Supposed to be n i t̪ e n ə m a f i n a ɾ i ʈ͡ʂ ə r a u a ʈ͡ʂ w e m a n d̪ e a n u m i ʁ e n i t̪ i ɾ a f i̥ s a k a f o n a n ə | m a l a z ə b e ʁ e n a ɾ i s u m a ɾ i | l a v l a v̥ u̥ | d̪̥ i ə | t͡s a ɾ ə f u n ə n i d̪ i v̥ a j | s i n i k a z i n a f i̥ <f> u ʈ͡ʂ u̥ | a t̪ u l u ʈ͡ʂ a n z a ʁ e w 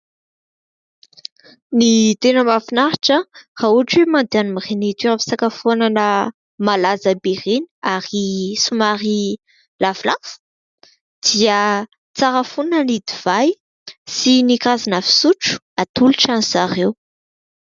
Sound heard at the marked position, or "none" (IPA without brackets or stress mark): s